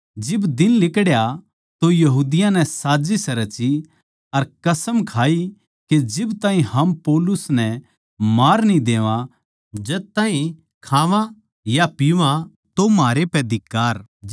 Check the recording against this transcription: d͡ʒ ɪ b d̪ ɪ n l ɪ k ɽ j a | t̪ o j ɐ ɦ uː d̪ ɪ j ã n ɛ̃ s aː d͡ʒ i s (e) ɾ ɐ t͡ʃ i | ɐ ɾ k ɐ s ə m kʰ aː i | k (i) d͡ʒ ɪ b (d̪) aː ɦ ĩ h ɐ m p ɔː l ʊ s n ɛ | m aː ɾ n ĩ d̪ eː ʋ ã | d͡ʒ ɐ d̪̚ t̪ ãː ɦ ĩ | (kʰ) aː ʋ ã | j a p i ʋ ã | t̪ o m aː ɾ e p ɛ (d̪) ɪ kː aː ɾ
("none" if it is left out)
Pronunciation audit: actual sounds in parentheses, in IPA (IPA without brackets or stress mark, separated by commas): ɛ, e, t̪, kʰ, d̪